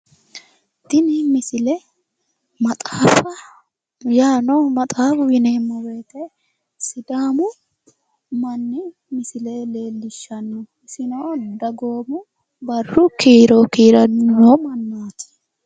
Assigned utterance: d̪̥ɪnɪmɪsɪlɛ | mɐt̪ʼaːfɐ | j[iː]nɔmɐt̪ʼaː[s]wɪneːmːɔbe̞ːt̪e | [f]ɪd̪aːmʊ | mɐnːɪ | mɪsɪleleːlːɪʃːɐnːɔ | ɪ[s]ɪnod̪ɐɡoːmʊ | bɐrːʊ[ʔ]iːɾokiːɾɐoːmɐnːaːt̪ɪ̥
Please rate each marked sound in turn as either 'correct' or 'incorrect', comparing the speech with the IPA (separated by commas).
incorrect, incorrect, incorrect, correct, incorrect